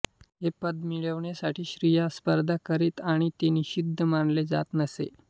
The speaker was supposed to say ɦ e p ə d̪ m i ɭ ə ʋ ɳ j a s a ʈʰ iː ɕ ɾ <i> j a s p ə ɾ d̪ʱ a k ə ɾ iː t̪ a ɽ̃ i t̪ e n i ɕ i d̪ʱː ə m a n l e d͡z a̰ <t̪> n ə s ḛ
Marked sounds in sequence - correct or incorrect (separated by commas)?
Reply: correct, correct